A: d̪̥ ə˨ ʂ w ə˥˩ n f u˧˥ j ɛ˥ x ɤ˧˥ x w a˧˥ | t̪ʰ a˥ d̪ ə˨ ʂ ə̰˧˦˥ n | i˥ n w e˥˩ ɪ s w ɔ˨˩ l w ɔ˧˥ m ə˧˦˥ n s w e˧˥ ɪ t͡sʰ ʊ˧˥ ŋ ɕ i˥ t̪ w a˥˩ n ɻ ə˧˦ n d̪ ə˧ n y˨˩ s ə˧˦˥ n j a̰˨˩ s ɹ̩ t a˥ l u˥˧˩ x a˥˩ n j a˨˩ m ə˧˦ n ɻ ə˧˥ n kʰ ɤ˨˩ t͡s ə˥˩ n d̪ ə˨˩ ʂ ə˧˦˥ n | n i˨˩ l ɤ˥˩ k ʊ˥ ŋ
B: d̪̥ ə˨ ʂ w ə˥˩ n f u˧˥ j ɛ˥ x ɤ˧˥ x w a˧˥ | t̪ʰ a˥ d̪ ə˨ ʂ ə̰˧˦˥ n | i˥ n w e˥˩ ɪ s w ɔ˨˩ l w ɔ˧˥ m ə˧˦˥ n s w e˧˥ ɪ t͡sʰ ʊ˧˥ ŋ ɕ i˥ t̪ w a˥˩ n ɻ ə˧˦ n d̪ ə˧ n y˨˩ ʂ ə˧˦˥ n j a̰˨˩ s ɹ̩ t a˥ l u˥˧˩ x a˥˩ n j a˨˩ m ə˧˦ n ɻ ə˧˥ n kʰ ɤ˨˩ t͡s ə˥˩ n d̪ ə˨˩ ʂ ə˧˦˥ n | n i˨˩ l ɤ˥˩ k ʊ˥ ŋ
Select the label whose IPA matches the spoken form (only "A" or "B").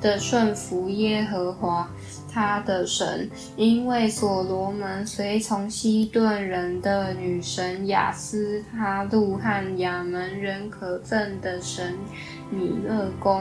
B